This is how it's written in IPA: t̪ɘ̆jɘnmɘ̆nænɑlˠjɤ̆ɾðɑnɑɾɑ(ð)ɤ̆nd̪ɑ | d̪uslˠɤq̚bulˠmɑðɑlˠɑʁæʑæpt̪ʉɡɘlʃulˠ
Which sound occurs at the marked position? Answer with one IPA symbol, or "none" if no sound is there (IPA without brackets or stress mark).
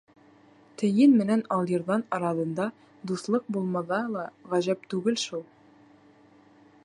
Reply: ð